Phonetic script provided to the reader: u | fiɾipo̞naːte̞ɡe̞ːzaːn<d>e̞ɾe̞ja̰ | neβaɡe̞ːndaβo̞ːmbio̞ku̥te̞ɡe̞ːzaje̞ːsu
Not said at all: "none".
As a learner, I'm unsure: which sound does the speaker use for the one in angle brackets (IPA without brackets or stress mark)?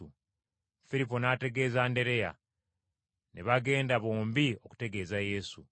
d